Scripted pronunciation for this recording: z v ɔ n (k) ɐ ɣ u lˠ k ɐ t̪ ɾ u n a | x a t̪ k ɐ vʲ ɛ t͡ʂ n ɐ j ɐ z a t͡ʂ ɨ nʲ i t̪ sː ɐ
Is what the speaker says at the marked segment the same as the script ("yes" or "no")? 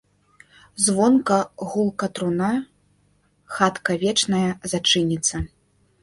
yes